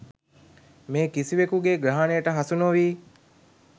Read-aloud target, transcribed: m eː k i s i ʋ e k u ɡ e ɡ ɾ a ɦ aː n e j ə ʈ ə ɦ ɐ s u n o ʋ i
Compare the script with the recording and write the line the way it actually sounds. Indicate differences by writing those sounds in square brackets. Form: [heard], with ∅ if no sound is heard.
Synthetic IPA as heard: m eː k i s i ʋ e k u ɡ e ɡ ɾ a ɦ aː n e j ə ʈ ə ɦ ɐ s u n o ʋ [iː]